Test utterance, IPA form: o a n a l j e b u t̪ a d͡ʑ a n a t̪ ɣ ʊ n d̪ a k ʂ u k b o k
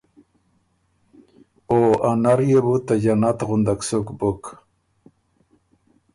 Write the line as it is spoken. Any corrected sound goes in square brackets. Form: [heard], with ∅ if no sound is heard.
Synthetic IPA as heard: o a n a [ɾ] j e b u t̪ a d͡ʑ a n a t̪ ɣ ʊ n d̪ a k [s] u k b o k